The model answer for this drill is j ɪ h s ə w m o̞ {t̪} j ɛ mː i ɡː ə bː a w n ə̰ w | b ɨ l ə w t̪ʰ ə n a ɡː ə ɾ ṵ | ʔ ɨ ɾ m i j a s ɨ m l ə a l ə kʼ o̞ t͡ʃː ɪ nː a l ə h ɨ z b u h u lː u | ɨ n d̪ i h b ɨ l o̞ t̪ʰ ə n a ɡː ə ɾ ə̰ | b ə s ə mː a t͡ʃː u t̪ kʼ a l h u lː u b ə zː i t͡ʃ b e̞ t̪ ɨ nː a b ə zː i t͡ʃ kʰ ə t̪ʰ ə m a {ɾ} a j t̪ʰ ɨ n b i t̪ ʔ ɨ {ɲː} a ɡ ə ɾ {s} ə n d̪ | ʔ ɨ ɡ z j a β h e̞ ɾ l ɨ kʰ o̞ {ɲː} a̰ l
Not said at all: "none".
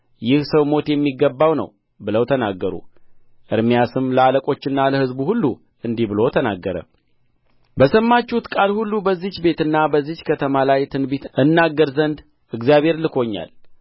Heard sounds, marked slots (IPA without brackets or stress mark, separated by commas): t̪, l, nː, z, ɲː